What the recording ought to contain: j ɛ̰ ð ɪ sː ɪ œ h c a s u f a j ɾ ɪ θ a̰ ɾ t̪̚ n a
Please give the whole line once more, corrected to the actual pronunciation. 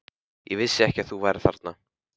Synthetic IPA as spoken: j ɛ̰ v ɪ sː ɪ ɛ h c a θ u v a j ɾ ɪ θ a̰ ɾ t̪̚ n a